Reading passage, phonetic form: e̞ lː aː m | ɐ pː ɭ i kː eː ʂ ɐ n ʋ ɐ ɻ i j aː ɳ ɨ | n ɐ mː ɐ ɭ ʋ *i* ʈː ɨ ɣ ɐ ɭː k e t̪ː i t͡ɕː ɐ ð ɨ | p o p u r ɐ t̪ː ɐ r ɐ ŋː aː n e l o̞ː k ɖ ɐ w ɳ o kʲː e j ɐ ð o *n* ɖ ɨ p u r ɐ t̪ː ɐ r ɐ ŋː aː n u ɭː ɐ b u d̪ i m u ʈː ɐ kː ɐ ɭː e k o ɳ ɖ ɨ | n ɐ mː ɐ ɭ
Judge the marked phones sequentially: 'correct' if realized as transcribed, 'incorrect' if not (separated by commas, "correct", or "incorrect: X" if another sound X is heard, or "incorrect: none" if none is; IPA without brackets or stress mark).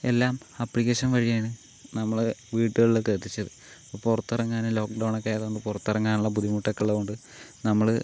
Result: incorrect: iː, incorrect: ɳ